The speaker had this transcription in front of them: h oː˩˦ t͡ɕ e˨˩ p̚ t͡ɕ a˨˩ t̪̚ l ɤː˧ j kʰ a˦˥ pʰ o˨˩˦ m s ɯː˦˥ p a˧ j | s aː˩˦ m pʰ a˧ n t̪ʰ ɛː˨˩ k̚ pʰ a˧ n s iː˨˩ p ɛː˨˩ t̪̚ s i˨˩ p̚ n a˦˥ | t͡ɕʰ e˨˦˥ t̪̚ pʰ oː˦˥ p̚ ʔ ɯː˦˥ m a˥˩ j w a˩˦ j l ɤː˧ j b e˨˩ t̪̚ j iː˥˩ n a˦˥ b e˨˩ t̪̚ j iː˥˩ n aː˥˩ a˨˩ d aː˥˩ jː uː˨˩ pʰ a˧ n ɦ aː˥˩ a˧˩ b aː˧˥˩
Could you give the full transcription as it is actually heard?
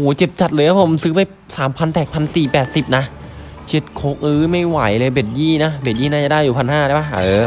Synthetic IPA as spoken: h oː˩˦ t͡ɕ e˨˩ p̚ t͡ɕ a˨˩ t̪̚ l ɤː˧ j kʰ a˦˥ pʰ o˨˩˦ m s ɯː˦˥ p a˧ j | s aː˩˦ m pʰ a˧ n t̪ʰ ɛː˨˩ k̚ pʰ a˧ n s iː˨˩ p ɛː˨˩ t̪̚ s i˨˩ p̚ n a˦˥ | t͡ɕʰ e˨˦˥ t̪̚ kʰ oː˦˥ k̚ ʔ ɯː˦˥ m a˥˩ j w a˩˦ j l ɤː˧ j b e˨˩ t̪̚ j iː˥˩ n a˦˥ b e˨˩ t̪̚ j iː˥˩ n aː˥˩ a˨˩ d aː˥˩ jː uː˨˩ pʰ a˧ n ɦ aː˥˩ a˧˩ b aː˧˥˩